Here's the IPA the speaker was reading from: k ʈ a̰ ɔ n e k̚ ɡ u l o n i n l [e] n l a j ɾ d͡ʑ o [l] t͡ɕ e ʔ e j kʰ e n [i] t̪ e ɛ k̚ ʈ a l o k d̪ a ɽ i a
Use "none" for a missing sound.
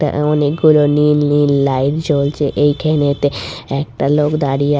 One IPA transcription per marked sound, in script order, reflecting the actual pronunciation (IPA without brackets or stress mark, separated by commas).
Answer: i, l, e